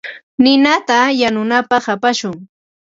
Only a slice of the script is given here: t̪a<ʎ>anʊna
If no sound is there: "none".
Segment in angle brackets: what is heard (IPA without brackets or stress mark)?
j